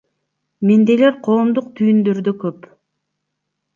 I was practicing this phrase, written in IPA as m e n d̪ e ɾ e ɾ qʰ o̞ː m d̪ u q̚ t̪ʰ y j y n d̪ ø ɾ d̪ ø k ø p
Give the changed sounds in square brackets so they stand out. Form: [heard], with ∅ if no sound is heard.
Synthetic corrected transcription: m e n d̪ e [l] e ɾ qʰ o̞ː m d̪ u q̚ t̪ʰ y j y n d̪ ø ɾ d̪ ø k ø p

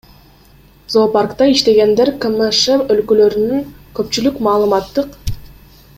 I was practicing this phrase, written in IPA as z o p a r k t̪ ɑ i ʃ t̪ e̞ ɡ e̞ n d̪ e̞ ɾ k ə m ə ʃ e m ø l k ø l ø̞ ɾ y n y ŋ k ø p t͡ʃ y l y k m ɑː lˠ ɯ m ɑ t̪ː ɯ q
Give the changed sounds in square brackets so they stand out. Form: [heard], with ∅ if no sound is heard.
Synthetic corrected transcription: z o p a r k t̪ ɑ i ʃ t̪ e̞ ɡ e̞ n d̪ e̞ ɾ k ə m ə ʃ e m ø l k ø l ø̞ ɾ y n y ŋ k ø p t͡ʃ y l y k m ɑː lˠ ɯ m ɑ t̪ː ɯ q

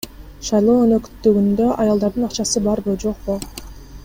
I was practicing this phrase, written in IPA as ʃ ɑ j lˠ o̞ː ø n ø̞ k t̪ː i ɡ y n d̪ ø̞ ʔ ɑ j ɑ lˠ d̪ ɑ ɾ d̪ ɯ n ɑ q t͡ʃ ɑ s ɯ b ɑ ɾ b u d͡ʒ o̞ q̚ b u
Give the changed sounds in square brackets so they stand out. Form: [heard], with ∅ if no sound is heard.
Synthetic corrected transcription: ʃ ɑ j lˠ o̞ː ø n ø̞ k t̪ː [y] ɡ y n d̪ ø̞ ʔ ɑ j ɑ lˠ d̪ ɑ ɾ d̪ ɯ n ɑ q t͡ʃ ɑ s ɯ b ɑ ɾ b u d͡ʒ o̞ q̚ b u

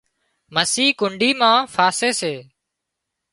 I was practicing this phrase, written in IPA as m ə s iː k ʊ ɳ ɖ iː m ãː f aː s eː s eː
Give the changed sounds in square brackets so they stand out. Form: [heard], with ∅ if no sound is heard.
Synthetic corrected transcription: m ə s iː k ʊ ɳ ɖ iː m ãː f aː s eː s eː

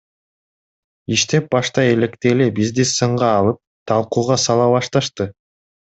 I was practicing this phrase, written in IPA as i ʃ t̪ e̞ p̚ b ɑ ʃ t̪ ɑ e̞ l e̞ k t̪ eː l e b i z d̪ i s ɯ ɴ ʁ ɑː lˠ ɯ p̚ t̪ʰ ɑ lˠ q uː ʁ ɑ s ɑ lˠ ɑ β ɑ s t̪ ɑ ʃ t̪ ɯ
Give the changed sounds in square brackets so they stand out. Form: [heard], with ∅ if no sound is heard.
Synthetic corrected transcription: i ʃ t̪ e̞ p̚ b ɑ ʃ t̪ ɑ e̞ l e̞ k t̪ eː l e b i z d̪ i s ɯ ɴ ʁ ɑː lˠ ɯ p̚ t̪ʰ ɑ lˠ q uː ʁ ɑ s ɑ lˠ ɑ β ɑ [ʃ] t̪ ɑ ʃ t̪ ɯ

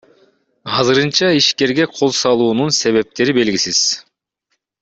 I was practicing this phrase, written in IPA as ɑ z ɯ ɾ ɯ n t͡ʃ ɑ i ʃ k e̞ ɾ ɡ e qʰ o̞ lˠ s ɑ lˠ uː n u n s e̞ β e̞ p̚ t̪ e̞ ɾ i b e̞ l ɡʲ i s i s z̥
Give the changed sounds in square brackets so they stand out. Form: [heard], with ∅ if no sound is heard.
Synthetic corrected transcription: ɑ z ɯ ɾ ɯ n t͡ʃ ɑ i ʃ k e̞ ɾ ɡ e qʰ o̞ lˠ s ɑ lˠ uː n u n s e̞ β e̞ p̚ t̪ e̞ ɾ i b e̞ l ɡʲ i s i [∅] z̥

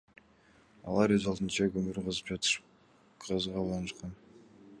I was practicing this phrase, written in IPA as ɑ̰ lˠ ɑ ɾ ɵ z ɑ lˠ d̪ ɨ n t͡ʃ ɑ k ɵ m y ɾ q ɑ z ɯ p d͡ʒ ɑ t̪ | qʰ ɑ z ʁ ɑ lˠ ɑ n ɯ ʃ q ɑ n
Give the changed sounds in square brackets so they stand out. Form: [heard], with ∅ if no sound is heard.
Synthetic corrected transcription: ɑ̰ lˠ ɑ ɾ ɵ z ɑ lˠ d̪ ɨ n t͡ʃ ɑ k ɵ m y ɾ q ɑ z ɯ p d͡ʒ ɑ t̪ | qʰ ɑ z ʁ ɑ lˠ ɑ n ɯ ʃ q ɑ n

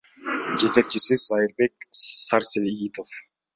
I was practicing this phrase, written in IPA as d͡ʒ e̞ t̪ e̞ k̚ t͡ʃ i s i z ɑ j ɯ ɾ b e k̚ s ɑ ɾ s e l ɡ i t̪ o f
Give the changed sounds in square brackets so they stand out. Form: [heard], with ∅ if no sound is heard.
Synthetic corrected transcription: d͡ʒ e̞ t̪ e̞ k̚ t͡ʃ i s i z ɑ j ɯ ɾ b e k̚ s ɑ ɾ s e l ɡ i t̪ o f

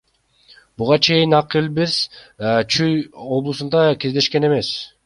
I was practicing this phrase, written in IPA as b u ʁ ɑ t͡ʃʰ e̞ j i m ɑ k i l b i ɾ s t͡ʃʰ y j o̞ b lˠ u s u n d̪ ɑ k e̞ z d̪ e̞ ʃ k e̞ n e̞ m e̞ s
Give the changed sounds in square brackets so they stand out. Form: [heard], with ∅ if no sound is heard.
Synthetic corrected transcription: b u ʁ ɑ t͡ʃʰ e̞ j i [n] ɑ [q] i l b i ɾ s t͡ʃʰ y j o̞ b lˠ u s u n d̪ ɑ k e̞ z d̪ e̞ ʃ k e̞ n e̞ m e̞ s

